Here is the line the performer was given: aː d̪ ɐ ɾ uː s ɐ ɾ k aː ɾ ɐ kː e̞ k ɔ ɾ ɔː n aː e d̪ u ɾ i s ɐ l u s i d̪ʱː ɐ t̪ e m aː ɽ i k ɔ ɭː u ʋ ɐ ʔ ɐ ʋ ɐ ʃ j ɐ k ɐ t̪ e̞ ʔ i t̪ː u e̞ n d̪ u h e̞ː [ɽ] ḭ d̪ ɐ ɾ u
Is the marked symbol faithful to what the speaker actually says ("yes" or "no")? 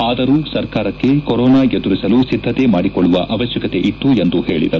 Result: no